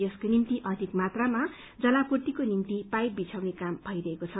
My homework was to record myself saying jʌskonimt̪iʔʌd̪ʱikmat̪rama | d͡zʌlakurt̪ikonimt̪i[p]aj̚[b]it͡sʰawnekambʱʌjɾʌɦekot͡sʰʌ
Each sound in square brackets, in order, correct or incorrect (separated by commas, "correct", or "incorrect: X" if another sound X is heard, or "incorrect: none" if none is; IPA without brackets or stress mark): correct, correct